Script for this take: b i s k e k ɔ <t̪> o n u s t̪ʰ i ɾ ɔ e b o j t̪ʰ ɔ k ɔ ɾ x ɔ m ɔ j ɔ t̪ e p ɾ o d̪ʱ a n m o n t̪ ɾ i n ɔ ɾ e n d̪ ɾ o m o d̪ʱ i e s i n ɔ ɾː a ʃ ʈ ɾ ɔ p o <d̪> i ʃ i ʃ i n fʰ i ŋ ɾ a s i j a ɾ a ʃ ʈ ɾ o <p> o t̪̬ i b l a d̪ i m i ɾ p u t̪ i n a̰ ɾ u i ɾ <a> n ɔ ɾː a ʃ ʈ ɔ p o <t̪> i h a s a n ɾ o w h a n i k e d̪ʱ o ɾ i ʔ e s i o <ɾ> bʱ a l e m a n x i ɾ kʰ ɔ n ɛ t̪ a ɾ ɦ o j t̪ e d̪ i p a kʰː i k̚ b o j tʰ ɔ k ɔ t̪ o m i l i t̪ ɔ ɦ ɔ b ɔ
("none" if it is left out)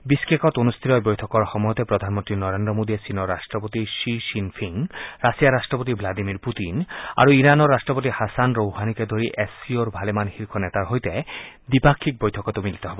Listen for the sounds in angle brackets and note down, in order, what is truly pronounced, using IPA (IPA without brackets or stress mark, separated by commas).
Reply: t̪, t̪, p, a, t̪, ɾ